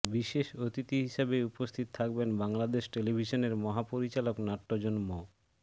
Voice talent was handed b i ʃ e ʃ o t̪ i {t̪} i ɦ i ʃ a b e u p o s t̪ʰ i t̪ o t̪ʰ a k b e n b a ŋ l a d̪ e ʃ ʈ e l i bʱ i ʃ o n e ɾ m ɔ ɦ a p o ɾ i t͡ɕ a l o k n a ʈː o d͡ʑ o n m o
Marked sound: correct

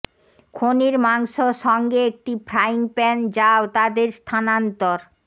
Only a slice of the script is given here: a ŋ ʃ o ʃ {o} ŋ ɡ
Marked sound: incorrect: ɔ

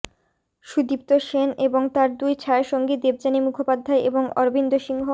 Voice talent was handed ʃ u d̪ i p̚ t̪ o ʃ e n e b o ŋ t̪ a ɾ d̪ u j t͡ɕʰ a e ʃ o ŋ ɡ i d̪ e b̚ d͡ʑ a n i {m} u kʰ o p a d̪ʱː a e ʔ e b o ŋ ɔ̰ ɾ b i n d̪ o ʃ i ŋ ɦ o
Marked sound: correct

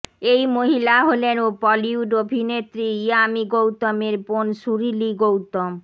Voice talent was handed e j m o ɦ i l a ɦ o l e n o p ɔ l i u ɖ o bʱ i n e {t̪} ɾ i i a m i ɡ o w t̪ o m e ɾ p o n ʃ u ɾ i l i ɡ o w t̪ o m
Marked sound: correct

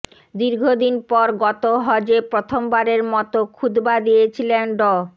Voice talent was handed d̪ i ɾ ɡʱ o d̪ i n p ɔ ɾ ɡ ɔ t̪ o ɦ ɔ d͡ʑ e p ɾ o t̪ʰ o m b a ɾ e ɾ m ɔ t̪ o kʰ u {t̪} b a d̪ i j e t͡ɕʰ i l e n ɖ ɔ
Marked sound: incorrect: d̪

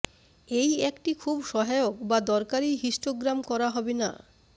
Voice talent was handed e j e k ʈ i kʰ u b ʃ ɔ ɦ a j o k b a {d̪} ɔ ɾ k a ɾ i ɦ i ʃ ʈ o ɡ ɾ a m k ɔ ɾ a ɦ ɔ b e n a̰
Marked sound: correct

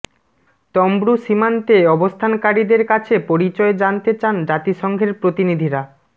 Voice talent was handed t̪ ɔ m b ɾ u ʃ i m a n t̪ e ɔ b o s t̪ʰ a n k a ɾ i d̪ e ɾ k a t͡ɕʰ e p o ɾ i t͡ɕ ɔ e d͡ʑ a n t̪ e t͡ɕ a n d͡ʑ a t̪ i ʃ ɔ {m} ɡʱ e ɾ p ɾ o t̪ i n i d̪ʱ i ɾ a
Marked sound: incorrect: ŋ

